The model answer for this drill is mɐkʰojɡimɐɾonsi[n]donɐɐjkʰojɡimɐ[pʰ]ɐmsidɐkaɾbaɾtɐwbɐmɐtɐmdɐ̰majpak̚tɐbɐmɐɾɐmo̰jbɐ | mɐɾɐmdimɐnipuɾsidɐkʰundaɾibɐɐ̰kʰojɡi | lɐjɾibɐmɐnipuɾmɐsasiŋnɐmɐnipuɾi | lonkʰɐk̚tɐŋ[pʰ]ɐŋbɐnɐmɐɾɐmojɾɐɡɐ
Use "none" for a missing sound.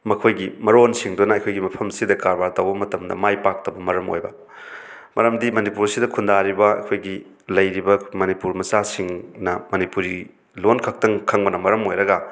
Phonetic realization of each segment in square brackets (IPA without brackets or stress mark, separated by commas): ŋ, pʰ, kʰ